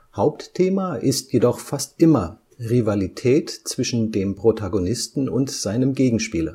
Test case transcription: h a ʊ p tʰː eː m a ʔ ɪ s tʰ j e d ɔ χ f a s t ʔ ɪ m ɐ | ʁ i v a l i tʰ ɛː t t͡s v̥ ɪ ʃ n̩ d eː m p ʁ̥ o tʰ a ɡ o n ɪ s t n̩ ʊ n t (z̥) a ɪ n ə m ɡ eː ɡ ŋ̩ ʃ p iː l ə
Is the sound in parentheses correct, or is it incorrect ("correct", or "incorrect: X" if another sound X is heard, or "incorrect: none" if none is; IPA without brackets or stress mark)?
correct